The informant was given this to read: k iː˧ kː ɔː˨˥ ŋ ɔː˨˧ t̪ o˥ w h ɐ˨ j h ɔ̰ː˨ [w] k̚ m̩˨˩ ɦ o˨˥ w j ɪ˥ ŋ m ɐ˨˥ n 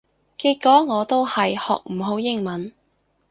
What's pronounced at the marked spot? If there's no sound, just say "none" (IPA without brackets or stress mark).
none